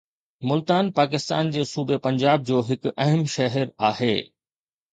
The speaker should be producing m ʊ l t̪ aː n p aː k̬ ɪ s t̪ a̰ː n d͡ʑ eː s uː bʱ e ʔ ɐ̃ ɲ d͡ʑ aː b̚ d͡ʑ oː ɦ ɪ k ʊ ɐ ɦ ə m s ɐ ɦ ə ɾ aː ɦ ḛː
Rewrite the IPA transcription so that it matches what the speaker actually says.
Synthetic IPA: m ʊ l t̪ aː n p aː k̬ ɪ s t̪ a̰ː n d͡ʑ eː s uː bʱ e p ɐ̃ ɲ d͡ʑ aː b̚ d͡ʑ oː ɦ ɪ k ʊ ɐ ɦ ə m ʃ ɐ ɦ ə ɾ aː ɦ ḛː